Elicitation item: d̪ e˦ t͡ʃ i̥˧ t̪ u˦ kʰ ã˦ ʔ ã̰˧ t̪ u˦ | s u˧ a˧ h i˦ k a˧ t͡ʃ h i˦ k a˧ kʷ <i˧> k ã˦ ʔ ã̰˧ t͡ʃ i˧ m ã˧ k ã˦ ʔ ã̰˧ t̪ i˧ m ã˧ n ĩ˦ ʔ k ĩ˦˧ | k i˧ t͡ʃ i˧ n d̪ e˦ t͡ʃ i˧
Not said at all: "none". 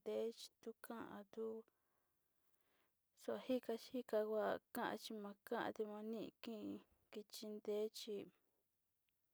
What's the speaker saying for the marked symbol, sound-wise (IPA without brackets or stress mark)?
a˧